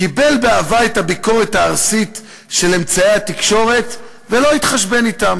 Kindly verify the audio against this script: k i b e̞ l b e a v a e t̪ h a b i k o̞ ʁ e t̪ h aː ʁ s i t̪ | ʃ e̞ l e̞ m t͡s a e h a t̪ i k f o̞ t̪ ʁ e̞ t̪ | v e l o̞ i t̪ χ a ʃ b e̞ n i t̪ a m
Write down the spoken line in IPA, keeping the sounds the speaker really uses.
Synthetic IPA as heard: k i b e̞ l b e a v a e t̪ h a b i k o̞ ʁ e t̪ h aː ʁ s i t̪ | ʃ e̞ l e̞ m t͡s a e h a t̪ i k ʃ o̞ ʁ e̞ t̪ | v e l o̞ i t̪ χ a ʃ b e̞ n i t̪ a m